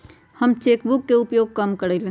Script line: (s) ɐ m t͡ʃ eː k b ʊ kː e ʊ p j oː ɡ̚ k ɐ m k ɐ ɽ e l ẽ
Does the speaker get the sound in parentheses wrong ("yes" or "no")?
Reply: yes